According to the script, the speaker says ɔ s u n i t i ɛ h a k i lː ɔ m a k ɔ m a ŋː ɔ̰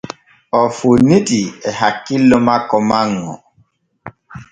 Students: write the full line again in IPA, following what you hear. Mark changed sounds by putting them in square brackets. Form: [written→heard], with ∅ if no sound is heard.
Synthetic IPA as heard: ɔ [s→f] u n i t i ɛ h a k i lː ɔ m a k ɔ m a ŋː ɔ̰